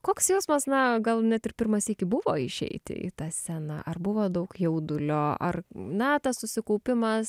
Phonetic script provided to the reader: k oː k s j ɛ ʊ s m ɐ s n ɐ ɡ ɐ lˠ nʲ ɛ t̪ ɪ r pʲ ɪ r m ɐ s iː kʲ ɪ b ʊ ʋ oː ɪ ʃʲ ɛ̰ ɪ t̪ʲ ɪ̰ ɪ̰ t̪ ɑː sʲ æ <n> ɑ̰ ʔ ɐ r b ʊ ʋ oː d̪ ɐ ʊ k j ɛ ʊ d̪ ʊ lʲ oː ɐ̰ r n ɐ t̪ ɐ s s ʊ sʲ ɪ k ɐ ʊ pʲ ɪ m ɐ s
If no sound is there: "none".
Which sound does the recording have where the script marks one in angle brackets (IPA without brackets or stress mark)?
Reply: n